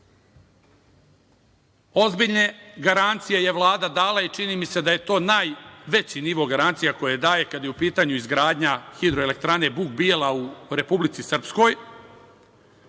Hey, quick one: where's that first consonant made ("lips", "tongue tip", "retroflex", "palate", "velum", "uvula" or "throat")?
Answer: tongue tip